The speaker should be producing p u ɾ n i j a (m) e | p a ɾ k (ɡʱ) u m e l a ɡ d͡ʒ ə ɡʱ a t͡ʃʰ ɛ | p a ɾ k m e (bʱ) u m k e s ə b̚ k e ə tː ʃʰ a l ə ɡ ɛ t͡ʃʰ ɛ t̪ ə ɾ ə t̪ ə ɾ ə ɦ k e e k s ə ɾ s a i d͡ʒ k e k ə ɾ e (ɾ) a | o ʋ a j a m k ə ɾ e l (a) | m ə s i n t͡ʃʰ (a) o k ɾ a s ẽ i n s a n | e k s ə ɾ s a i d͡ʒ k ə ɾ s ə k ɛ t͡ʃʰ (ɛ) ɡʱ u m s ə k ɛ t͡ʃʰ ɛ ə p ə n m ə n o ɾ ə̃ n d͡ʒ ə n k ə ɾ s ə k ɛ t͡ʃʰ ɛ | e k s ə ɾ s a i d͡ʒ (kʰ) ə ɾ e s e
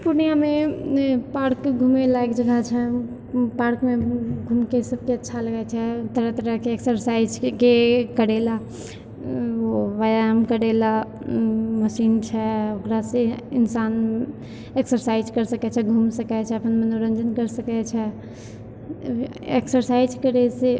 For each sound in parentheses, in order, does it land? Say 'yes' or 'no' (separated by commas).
yes, yes, no, no, yes, no, yes, no